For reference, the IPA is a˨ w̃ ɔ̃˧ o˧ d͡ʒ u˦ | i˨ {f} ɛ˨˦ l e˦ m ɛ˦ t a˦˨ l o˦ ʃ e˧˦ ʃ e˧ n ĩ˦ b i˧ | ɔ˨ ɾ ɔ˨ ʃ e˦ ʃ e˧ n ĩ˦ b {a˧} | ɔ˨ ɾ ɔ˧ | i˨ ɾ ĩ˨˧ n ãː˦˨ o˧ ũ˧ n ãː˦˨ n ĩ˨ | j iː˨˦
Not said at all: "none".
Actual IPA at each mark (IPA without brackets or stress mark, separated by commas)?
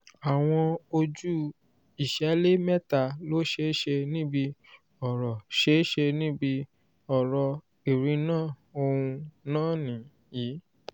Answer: ʃ, i˧